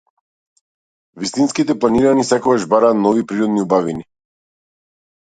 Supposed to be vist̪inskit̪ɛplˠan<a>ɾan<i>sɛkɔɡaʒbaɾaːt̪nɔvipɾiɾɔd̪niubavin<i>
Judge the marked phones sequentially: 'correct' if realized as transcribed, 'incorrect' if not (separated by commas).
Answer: incorrect, correct, correct